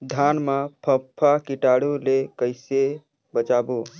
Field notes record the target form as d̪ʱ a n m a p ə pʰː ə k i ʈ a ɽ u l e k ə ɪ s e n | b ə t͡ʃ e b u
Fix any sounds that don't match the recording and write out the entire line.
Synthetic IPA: d̪ʱ a n m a pʰ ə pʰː a k i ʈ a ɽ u l e k ə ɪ s e | b ə t͡ʃ a b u